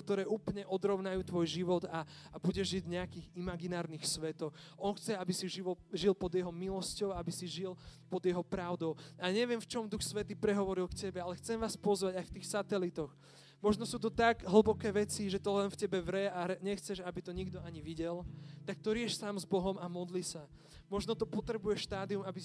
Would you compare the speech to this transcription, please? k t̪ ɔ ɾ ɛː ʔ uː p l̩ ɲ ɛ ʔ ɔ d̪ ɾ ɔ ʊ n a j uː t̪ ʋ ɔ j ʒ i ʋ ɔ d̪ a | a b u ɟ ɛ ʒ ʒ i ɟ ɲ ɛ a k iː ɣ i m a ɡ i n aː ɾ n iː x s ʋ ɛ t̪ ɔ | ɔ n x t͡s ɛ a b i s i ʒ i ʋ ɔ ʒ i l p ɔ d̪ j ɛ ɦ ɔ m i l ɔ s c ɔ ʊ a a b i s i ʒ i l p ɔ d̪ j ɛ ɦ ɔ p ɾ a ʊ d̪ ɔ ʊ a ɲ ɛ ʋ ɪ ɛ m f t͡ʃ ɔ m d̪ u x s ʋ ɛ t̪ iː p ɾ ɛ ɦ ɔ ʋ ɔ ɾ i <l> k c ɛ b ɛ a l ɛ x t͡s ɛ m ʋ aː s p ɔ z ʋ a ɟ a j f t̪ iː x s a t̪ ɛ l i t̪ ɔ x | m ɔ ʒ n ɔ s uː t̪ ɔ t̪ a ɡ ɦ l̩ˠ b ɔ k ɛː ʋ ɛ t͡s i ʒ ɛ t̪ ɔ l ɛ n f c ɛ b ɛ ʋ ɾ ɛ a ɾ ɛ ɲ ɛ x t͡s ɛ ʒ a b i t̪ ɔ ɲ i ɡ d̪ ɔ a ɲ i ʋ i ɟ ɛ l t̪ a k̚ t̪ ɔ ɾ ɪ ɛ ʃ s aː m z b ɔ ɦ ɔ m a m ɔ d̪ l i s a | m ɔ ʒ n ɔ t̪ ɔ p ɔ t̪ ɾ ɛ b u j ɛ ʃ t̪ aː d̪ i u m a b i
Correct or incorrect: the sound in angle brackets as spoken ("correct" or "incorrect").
correct